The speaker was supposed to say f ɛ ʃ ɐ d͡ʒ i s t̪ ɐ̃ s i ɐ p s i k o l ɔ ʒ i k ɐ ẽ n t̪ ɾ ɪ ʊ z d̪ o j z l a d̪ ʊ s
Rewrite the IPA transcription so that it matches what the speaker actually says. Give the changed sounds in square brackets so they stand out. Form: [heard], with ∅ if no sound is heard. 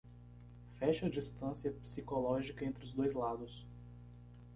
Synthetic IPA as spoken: f ɛ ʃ ɐ d͡ʒ i s t̪ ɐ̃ s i ɐ p s i k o l ɔ ʒ i k ɐ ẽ n t̪ ɾ ɪ ʊ z d̪ o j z l a d̪ ʊ s